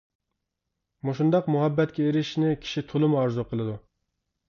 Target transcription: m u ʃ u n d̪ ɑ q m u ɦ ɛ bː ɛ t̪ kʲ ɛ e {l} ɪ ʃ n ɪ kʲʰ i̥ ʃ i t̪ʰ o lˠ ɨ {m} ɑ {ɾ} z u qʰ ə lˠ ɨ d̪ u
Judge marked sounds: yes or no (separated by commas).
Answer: no, yes, yes